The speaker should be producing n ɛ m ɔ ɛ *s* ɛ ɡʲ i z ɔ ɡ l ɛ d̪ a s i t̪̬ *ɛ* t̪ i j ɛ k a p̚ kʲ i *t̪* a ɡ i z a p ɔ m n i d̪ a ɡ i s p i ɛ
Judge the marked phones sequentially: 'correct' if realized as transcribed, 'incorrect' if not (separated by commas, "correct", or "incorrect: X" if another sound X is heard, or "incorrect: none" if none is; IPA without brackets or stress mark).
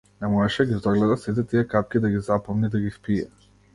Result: incorrect: ʃ, correct, incorrect: d̪